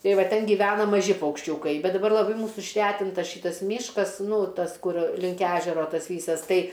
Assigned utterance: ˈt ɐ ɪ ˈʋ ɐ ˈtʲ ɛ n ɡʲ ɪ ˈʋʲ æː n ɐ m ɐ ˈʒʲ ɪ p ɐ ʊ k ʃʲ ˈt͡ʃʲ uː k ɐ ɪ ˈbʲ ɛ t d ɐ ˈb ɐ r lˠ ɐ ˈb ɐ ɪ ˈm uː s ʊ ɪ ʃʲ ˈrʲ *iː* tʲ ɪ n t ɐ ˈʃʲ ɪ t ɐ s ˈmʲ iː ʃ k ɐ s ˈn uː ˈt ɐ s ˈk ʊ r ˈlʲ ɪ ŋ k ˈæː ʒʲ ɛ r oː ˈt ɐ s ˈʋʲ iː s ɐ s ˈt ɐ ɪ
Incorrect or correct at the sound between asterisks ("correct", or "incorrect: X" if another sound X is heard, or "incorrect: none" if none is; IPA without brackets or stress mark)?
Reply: incorrect: æː